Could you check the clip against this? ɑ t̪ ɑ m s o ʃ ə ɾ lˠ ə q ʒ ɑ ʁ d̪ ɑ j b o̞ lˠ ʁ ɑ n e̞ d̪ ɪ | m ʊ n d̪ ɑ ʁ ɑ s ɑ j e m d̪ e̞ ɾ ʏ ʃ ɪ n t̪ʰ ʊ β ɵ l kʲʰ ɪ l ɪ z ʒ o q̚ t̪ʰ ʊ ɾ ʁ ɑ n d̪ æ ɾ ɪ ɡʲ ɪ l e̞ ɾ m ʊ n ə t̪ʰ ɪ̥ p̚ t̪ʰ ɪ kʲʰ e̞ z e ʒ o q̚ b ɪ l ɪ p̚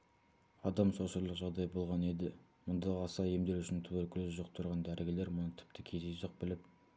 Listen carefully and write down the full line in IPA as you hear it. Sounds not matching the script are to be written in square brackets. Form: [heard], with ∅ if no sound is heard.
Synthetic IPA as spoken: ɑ [d̪] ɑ m s o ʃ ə ɾ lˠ ə q ʒ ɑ ʁ d̪ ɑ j b o̞ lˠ ʁ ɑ n e̞ d̪ ɪ | m ʊ n d̪ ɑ ʁ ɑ s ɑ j e m d̪ e̞ ɾ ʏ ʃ ɪ n t̪ʰ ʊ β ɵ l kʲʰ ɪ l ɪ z ʒ o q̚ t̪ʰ ʊ ɾ ʁ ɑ n d̪ æ ɾ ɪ ɡʲ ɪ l e̞ ɾ m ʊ n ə t̪ʰ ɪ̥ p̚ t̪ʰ ɪ kʲʰ e̞ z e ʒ o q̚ b ɪ l ɪ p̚